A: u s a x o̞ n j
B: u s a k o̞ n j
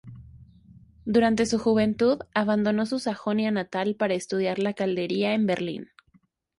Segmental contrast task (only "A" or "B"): A